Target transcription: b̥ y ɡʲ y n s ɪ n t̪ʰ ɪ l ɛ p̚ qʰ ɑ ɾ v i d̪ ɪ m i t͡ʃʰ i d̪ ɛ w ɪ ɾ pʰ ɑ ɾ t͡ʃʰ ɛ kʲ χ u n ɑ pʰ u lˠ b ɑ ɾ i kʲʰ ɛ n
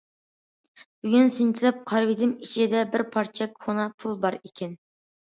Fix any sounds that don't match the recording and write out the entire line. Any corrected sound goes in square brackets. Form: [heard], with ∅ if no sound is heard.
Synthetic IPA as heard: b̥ y ɡʲ y n s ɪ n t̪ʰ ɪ l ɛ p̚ qʰ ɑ ɾ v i d̪ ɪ m i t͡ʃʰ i d̪ ɛ [b] ɪ ɾ pʰ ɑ ɾ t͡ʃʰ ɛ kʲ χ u n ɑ pʰ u lˠ b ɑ ɾ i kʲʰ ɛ n